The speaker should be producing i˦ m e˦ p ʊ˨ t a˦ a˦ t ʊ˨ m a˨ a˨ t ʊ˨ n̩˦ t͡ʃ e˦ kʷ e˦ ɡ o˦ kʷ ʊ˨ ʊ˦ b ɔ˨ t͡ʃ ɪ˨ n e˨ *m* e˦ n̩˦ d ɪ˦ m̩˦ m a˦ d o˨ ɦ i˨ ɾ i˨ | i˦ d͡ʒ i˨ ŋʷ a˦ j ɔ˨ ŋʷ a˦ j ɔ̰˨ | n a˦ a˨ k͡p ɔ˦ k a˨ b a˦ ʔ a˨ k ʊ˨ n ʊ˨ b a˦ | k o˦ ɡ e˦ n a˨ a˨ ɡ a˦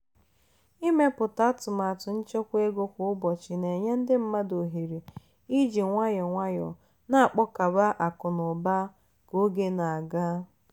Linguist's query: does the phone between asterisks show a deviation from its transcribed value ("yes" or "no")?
yes